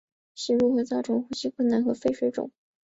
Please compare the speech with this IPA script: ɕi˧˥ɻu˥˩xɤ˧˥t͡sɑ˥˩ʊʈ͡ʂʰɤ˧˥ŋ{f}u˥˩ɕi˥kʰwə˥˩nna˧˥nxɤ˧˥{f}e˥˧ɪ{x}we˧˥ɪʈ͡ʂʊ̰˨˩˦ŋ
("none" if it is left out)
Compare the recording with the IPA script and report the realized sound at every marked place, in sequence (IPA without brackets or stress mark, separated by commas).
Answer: x, f, ʂ